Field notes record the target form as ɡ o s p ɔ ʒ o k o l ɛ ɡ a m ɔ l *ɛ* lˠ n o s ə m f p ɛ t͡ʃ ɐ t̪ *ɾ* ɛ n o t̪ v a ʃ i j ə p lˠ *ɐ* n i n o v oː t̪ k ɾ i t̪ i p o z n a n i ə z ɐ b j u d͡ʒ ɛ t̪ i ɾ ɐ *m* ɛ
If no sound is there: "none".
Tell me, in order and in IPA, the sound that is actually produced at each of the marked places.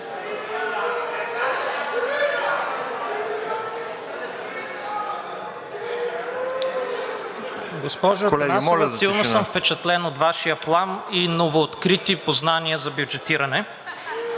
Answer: i, l, a, n

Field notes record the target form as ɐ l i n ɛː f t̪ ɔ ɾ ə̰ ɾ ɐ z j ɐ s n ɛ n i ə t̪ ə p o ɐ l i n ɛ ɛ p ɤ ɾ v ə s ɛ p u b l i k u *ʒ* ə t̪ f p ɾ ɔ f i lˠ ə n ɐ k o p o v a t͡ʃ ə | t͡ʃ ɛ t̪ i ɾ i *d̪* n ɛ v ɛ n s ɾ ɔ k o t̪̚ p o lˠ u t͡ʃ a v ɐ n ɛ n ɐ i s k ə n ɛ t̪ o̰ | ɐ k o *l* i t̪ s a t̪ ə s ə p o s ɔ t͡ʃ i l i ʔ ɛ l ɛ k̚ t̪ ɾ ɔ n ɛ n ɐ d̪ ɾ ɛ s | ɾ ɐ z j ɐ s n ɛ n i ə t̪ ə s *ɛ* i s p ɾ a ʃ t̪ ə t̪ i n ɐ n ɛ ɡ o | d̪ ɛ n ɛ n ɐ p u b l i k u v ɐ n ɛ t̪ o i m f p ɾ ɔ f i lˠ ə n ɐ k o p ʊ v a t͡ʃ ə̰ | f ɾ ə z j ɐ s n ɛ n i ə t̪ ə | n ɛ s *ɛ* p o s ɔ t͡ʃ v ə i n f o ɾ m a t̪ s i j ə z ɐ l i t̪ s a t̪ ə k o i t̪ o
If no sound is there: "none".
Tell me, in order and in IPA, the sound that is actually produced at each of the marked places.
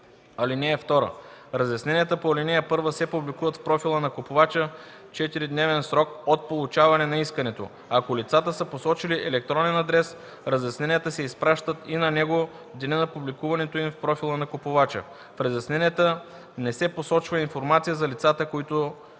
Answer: v, d̪, l, ɛ, ɛ

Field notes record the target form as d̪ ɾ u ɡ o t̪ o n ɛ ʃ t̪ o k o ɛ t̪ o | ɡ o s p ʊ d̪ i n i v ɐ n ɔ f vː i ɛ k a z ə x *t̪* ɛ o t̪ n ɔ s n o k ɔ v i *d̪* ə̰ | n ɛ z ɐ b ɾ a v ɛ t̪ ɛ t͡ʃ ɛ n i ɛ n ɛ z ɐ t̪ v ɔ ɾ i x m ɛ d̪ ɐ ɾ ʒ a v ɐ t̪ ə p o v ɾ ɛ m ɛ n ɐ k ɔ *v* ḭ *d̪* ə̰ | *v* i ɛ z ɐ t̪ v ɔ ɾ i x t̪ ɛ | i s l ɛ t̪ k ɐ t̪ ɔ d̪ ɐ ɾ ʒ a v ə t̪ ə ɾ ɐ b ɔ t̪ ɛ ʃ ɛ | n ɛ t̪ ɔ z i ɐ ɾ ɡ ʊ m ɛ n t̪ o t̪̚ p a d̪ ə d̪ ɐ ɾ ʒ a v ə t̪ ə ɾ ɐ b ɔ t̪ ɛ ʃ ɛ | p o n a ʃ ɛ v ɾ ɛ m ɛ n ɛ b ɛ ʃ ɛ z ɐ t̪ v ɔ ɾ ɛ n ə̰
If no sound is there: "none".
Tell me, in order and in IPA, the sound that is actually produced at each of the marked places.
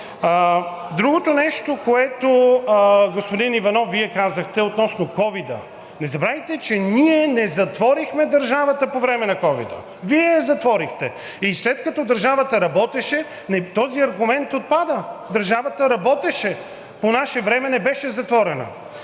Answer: t̪, d̪, v, d̪, v

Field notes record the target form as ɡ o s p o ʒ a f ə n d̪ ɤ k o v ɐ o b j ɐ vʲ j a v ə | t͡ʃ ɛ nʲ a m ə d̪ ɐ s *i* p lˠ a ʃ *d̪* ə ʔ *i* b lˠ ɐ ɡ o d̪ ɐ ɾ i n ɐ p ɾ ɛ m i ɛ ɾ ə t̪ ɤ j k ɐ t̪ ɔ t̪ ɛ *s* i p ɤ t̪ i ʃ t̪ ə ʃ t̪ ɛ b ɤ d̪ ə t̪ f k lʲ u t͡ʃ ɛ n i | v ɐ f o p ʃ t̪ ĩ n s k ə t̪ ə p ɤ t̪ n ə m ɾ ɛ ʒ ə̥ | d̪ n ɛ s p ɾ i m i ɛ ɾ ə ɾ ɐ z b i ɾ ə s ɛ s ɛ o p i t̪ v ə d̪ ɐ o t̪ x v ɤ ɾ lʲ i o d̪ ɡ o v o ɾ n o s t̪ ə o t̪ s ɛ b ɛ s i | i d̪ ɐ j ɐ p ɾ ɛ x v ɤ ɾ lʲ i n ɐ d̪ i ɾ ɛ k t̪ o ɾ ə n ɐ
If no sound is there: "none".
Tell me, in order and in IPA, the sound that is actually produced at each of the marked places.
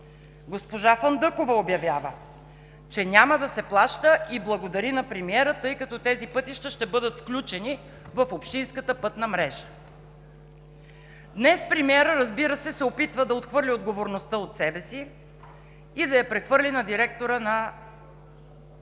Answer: ɛ, t̪, i, z

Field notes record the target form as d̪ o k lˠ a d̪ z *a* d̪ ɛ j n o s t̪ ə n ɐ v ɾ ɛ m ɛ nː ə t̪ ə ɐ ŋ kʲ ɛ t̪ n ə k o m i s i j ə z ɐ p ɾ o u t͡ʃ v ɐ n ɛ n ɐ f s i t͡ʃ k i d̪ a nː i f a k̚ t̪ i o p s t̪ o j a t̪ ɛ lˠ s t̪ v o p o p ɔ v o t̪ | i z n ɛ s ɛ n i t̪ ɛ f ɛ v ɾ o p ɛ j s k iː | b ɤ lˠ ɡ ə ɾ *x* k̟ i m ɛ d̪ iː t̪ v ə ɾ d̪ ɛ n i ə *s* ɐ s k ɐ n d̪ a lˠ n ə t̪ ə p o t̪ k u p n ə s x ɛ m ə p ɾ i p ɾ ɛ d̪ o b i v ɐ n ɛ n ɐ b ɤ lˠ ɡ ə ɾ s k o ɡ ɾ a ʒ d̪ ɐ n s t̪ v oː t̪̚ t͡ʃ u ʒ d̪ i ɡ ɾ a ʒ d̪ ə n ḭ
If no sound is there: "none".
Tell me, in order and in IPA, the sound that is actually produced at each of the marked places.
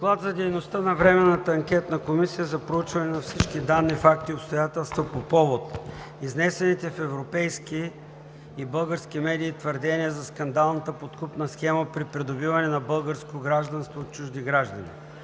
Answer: ɐ, s, z

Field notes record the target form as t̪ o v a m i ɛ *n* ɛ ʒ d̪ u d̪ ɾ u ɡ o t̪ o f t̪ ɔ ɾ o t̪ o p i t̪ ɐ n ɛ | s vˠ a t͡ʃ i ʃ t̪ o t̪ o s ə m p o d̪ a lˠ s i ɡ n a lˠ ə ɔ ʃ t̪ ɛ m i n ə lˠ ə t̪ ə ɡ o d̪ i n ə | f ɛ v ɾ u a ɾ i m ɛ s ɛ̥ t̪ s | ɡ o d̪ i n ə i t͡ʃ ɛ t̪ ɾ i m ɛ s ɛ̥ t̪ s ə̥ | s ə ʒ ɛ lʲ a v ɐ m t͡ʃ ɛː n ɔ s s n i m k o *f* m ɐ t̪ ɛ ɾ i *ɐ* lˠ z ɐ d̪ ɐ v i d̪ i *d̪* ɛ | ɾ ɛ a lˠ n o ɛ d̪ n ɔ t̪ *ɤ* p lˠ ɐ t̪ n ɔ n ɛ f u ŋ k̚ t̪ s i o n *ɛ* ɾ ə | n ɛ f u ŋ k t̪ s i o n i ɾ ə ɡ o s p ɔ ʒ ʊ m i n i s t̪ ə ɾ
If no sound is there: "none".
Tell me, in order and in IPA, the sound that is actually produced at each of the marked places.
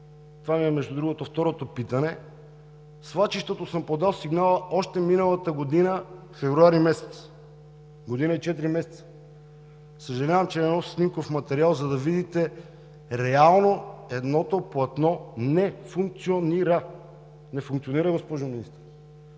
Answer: m, f, a, t̪, o, i

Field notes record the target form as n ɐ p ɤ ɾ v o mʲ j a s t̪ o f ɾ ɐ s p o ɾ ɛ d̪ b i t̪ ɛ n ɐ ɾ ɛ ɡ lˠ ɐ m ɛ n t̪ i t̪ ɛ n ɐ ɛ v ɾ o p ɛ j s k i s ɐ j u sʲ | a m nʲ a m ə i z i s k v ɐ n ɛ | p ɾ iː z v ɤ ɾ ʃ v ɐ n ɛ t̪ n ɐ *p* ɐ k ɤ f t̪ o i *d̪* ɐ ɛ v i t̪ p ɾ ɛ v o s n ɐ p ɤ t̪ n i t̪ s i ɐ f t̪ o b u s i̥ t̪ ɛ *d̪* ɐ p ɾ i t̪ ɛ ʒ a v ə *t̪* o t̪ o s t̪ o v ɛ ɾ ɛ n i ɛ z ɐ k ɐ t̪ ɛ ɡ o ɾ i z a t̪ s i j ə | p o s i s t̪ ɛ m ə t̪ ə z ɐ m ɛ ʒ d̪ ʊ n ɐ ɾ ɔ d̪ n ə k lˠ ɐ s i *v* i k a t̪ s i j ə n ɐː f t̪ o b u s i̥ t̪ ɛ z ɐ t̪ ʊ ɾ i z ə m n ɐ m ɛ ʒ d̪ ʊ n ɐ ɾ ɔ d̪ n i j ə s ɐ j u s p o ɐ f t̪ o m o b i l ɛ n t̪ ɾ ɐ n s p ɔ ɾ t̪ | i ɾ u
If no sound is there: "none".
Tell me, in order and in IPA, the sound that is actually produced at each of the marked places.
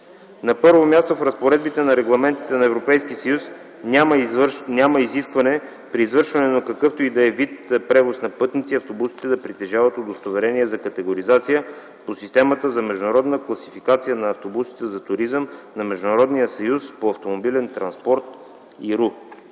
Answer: k, d̪, d̪, t̪, f

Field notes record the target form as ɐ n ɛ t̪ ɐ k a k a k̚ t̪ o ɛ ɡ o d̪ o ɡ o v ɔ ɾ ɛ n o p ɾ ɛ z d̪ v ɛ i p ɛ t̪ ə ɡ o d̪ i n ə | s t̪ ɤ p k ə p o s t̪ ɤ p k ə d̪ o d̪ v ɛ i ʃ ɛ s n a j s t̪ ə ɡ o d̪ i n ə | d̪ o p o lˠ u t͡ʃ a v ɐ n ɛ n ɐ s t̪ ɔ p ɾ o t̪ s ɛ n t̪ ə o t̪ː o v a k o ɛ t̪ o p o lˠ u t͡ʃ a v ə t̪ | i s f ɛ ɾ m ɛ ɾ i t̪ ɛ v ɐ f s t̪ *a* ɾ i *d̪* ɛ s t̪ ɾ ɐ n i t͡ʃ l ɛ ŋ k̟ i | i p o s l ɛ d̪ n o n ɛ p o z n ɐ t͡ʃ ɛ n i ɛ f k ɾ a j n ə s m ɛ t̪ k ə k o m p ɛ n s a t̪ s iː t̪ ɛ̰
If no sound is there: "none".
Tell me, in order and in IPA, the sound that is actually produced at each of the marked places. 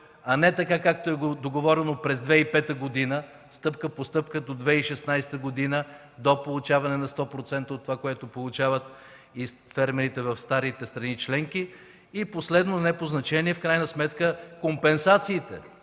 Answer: a, t̪

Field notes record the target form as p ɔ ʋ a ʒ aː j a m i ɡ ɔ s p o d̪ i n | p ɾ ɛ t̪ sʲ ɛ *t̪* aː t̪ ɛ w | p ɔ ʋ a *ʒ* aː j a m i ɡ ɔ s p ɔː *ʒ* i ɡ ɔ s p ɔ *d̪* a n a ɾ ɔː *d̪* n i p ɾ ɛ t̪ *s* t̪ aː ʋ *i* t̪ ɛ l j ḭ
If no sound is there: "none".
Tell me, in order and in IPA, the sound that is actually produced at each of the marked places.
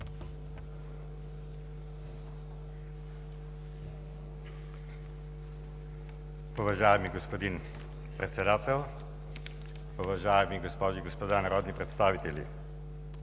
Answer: d̪, ʒ, ʒ, d̪, d̪, s, i

